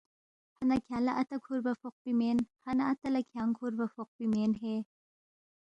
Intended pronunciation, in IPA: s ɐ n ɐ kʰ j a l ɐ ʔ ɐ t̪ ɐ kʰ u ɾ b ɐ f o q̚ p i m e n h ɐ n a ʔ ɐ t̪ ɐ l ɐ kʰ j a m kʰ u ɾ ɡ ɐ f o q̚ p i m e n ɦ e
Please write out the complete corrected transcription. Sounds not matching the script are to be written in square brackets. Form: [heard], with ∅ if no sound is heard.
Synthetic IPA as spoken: [h] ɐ n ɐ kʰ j a l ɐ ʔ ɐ t̪ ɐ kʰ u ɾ b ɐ f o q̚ p i m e n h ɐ n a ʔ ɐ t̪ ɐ l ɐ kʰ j a [ŋ] kʰ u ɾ [b] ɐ f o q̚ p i m e n ɦ e